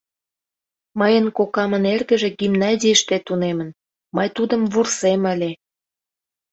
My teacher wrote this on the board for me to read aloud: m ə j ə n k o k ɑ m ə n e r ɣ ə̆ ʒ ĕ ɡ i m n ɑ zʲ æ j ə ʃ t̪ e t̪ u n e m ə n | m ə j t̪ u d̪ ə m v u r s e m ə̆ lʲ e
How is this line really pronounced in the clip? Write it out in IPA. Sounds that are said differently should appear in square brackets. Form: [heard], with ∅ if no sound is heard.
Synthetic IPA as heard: m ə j ə n k o k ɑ m ə n e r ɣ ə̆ ʒ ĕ ɡ i m n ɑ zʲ [i] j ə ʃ t̪ e t̪ u n e m ə n | m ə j t̪ u d̪ ə m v u r s e m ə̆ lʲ e

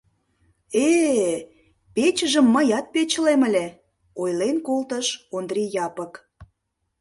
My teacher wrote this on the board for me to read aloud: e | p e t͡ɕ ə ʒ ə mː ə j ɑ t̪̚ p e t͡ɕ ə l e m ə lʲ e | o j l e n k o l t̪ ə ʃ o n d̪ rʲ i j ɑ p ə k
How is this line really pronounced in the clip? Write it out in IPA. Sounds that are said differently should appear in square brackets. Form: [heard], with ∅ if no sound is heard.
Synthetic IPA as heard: e | p e t͡ɕ ə ʒ ə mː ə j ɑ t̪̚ p e t͡ɕ ə l e m ə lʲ e | o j l e n k o l t̪ ə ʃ o n d̪ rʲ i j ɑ p ə k

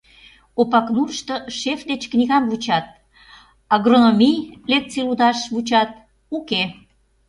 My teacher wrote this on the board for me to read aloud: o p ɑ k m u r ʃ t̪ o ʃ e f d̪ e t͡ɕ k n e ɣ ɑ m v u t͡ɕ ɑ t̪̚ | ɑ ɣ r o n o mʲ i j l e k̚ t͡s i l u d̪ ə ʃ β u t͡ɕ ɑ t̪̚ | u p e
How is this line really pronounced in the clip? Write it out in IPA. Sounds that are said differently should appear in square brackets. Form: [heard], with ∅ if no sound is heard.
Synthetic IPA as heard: o p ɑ k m u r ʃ t̪ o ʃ e f d̪ e t͡ɕ k n [i] ɣ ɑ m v u t͡ɕ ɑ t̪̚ | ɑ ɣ r o n o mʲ i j l e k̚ t͡s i l u d̪ [ɑ] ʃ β u t͡ɕ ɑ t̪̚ | u [k] e

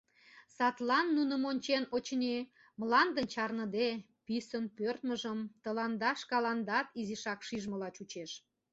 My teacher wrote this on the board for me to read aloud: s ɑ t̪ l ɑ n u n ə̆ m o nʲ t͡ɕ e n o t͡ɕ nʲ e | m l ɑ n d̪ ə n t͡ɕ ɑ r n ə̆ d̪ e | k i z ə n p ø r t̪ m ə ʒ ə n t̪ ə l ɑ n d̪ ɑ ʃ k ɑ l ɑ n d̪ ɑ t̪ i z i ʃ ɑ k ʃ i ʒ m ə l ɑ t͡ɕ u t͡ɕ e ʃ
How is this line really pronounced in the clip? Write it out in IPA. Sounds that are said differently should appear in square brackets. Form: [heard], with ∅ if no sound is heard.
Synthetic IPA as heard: s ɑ t̪ l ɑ [nː] u n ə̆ m o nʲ t͡ɕ e n o t͡ɕ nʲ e | m l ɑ n d̪ ə n t͡ɕ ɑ r n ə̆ d̪ e | [p] i [s] ə n p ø r t̪ m ə ʒ ə [m] t̪ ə l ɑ n d̪ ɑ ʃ k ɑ l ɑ n d̪ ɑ t̪ i z i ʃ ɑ k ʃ i ʒ m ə l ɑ t͡ɕ u t͡ɕ e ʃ

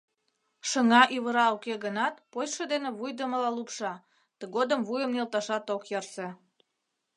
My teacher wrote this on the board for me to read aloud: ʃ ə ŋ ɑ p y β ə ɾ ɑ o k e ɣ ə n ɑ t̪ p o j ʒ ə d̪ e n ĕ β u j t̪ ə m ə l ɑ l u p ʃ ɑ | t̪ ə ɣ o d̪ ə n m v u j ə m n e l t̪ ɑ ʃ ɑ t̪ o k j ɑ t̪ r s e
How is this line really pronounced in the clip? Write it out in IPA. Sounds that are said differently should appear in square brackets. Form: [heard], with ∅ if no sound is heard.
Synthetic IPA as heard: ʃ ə ŋ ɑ [ʔ] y β ə ɾ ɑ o k e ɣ ə n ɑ t̪ p o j [ʃ] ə d̪ e n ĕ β u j [d̪] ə m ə l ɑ l u p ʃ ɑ | t̪ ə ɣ o d̪ ə [∅] m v u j ə m n e l t̪ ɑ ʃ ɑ t̪ o k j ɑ [∅] r s e

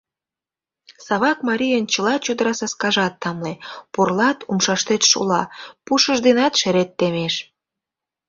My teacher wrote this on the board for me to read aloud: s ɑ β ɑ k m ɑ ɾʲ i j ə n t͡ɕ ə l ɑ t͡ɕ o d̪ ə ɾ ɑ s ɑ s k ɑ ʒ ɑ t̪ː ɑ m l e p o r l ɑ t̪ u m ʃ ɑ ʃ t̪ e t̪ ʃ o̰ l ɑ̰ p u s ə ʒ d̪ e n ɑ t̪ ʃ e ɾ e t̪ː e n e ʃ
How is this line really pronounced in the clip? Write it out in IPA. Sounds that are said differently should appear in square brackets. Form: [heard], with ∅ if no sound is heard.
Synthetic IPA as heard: s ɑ β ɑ k m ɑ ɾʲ i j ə n t͡ɕ ə l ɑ t͡ɕ o d̪ ə ɾ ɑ s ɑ s k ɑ ʒ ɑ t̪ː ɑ m l e p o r l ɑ t̪ u m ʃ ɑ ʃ t̪ e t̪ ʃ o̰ l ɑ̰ p u [ʃ] ə ʒ d̪ e n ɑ t̪ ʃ e ɾ e t̪ː e [m] e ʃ

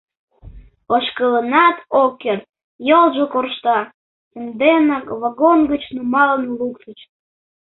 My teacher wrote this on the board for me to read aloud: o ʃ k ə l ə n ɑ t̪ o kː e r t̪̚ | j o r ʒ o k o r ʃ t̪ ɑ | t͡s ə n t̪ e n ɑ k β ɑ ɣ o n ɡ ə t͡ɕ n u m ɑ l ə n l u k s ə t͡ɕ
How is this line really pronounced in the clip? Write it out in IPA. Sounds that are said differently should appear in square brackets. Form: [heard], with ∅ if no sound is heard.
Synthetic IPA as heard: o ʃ k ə l ə n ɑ t̪ o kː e r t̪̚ | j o [l] ʒ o k o r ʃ t̪ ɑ | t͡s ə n [d̪] e n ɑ k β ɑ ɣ o n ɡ ə t͡ɕ n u m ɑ l ə n l u k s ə t͡ɕ

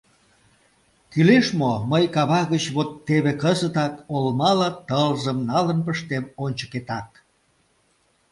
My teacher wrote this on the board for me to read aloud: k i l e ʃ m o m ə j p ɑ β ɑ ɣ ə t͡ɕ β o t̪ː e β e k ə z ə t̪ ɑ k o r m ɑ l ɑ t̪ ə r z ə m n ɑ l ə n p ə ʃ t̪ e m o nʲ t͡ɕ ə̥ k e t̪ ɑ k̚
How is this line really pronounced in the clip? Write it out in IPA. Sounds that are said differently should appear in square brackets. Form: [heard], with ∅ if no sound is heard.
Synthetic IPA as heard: k [y] l e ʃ m o m ə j [k] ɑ β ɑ ɣ ə t͡ɕ β o t̪ː e β e k ə z ə t̪ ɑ k o [l] m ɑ l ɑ t̪ ə [l] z ə m n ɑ l ə n p ə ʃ t̪ e m o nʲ t͡ɕ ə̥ k e t̪ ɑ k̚

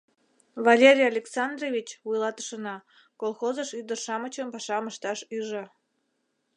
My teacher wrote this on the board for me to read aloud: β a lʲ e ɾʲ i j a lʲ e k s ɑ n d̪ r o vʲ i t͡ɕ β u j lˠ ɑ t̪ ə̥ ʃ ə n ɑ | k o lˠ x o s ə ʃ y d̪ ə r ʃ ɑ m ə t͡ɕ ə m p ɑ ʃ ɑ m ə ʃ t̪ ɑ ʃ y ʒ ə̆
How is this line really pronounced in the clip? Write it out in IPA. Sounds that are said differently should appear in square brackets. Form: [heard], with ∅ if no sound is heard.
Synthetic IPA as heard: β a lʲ e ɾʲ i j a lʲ e k s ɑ n d̪ r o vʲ i t͡ɕ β u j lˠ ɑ t̪ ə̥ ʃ ə n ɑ | k o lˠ x o [z] ə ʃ y d̪ ə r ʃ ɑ m ə t͡ɕ ə m p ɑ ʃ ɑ m ə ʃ t̪ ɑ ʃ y ʒ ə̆

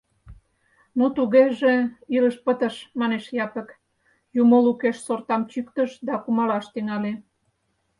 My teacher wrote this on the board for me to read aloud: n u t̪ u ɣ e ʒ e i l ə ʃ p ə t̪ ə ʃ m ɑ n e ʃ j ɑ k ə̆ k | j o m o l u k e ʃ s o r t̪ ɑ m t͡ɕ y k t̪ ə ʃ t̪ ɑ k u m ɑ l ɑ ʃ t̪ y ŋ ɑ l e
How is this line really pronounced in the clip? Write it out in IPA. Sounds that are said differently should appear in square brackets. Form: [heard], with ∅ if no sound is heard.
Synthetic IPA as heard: n u t̪ u ɣ e ʒ e i l ə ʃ p ə t̪ ə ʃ m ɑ n e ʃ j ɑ [p] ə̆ k | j [u] m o l u k e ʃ s o r t̪ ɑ m t͡ɕ y k t̪ ə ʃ [d̪] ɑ k u m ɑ l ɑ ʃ t̪ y ŋ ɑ l e

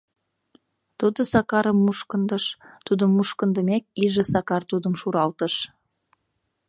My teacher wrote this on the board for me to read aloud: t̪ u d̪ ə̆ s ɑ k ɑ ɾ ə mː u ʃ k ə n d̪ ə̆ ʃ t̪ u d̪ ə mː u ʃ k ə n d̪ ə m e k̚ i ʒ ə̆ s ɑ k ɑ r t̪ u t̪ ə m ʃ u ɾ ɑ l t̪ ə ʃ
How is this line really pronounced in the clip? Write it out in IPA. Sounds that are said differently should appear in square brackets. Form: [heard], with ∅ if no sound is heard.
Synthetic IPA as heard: t̪ u d̪ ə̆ s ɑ k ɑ ɾ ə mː u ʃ k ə n d̪ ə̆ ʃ t̪ u d̪ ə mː u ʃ k ə n d̪ ə m e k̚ i ʒ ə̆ s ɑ k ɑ r t̪ u [d̪] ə m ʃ u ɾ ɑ l t̪ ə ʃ

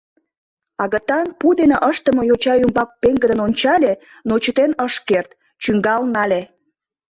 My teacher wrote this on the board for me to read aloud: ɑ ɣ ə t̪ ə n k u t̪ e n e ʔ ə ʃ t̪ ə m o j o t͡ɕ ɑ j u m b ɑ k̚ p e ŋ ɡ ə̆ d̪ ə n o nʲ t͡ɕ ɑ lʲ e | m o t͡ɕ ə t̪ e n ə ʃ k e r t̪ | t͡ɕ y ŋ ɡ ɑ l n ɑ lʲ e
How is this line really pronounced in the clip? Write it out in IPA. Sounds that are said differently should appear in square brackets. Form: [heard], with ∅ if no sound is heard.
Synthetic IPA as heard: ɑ ɣ ə t̪ [ɑ] n [p] u [d̪] e n e ʔ ə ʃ t̪ ə m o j o t͡ɕ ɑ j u m b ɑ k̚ p e ŋ ɡ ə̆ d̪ ə n o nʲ t͡ɕ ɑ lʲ e | [n] o t͡ɕ ə t̪ e n ə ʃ k e r t̪ | t͡ɕ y ŋ ɡ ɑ l n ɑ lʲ e

